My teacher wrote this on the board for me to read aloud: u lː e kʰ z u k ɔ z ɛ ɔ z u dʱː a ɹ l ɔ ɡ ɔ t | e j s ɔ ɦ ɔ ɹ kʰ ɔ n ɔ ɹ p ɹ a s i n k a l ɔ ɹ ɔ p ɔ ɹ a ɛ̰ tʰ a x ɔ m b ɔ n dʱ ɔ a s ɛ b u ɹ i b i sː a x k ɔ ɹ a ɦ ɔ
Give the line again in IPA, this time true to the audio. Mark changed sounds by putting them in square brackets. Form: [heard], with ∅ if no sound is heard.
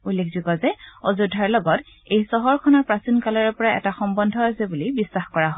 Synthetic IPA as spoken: u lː e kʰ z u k ɔ z ɛ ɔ z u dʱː a ɹ l ɔ ɡ ɔ t | e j s ɔ ɦ ɔ ɹ kʰ ɔ n ɔ ɹ p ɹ a s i n k a l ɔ ɹ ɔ p ɔ ɹ a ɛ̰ [t] a x ɔ m b ɔ n dʱ ɔ a s ɛ b u [l] i b i sː a x k ɔ ɹ a ɦ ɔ